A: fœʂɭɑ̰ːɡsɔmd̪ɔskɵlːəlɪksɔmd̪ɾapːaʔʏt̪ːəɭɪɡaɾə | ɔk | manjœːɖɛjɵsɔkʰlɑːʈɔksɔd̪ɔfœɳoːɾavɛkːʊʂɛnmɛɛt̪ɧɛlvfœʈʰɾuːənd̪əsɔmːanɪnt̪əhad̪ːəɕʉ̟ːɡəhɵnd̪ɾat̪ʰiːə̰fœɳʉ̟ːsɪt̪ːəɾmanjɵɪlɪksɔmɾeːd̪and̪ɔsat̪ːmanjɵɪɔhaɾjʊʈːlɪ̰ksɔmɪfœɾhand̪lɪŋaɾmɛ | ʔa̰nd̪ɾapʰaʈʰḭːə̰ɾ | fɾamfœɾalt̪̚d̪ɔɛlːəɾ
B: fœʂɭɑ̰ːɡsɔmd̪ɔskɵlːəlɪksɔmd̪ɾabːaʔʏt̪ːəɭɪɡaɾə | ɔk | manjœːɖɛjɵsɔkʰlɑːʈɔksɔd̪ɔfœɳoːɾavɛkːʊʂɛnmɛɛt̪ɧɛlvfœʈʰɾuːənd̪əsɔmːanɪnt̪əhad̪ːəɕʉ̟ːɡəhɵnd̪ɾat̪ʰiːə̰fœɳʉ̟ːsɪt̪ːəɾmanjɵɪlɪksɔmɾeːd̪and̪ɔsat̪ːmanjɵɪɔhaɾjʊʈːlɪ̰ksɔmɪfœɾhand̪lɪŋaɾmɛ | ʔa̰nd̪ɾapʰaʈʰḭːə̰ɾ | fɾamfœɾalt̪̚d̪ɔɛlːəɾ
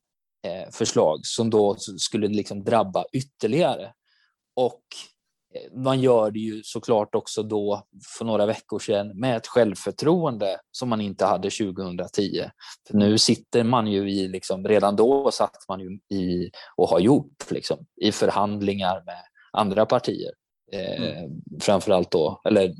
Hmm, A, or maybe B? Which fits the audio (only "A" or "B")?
B